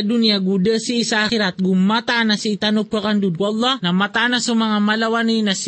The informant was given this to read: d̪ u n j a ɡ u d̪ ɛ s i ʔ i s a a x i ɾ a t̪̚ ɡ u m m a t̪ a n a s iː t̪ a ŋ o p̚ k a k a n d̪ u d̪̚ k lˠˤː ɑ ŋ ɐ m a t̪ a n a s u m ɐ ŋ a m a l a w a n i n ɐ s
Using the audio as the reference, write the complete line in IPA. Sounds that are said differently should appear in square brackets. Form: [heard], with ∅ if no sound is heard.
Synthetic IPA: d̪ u n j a ɡ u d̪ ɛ s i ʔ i s a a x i ɾ a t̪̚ ɡ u m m a t̪ a n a s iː t̪ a [n] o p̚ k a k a n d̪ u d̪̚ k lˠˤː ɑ [n] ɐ m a t̪ a n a s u m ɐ ŋ a m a l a w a n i n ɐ s